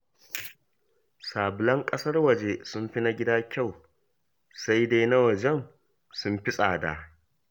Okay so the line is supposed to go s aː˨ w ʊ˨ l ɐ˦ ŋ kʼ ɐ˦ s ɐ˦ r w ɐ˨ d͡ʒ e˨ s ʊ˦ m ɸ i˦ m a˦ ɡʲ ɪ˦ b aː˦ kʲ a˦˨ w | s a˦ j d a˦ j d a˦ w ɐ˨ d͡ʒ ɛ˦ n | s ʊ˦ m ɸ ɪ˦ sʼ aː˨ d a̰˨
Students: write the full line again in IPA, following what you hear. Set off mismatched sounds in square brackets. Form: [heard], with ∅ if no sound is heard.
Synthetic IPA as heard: s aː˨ [b] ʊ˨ l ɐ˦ ŋ kʼ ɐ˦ s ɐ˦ r w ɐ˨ d͡ʒ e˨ s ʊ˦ m ɸ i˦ [n] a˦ ɡʲ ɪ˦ [d] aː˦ kʲ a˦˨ w | s a˦ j d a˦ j [n] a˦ w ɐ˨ d͡ʒ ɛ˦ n | s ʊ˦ m ɸ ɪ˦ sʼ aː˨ d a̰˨